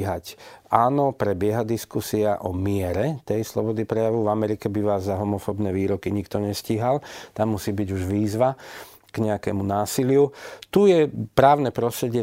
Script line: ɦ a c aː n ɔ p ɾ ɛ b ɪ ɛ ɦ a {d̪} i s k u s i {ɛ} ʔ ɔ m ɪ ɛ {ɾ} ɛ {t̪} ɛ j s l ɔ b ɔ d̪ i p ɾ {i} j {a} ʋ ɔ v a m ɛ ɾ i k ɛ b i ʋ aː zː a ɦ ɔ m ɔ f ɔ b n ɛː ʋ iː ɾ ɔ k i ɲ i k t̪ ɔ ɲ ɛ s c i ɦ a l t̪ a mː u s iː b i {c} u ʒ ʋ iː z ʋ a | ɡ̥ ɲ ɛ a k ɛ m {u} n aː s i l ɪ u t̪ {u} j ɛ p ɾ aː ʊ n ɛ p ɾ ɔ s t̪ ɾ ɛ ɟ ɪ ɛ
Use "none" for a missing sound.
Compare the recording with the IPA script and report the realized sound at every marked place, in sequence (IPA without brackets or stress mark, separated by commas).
d̪, a, ɾ, t̪, ɛ, a, ɟ, u, u